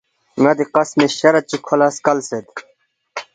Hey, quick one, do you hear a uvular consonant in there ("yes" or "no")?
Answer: yes